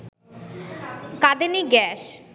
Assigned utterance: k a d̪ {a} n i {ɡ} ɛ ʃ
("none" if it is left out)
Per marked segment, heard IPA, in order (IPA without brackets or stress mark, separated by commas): e, ɡ